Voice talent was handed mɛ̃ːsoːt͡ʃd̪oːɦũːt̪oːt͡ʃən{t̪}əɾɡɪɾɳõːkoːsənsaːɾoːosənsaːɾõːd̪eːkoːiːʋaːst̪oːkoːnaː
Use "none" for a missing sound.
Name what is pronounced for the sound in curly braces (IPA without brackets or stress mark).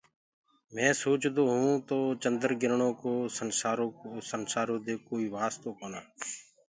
d̪